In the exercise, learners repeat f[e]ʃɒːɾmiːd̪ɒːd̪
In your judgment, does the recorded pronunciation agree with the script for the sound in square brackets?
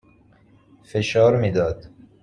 yes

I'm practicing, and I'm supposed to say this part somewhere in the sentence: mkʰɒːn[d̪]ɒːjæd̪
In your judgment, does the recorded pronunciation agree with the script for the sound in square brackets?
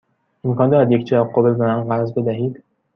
yes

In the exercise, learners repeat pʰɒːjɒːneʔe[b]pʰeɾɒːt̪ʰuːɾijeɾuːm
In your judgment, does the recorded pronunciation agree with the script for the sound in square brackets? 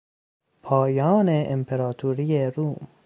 no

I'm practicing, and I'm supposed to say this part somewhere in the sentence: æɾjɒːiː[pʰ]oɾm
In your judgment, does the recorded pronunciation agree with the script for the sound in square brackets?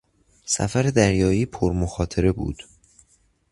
yes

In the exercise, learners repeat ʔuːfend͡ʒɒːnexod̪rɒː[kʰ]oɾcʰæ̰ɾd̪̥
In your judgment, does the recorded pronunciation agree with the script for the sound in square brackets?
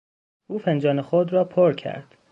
no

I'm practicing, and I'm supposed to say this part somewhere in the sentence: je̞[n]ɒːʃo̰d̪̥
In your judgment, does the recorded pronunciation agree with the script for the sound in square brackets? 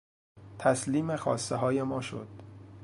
no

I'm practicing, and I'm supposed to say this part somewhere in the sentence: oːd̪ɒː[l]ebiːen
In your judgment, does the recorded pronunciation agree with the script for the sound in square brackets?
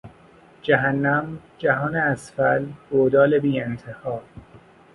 yes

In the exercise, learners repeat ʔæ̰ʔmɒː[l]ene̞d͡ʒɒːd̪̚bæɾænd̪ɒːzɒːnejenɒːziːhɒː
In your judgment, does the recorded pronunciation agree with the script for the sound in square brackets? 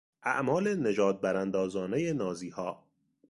yes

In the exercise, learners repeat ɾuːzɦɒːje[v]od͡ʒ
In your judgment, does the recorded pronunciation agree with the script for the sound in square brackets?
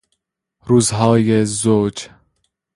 no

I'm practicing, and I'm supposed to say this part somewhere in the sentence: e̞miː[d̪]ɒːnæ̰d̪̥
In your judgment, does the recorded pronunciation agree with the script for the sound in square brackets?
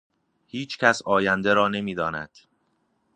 yes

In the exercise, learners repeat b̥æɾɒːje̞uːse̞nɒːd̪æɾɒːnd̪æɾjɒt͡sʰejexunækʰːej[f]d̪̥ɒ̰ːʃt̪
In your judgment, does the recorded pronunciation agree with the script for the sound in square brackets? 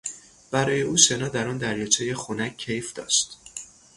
yes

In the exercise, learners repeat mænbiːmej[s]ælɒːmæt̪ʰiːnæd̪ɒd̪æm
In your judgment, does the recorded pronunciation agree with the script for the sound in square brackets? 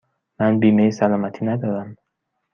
yes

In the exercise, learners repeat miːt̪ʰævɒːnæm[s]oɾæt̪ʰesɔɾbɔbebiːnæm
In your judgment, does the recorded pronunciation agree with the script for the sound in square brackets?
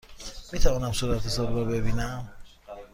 yes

